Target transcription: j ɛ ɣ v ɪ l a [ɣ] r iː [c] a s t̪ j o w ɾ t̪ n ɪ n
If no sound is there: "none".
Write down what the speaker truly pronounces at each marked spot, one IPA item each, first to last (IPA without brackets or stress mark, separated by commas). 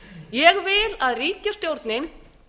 ð, c